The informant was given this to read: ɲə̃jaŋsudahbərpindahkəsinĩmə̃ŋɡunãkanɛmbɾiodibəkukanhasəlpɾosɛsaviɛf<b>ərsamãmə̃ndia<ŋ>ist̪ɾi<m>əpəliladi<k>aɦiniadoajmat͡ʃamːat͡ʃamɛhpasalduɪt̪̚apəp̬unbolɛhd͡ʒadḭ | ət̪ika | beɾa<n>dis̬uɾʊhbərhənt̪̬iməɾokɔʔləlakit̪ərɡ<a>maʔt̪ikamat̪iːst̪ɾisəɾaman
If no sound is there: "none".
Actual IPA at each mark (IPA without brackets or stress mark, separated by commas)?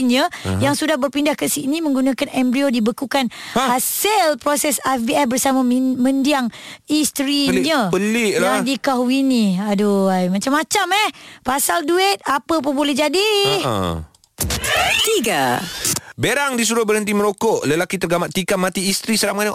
b, ŋ, ɲ, k, ŋ, a